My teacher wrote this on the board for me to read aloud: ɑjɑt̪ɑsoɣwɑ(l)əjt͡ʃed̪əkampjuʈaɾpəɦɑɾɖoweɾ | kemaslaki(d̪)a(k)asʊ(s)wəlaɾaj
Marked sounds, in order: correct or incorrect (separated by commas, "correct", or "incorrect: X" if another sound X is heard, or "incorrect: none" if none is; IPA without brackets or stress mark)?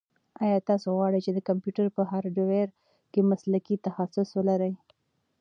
incorrect: ɽ, incorrect: t̪, incorrect: x, correct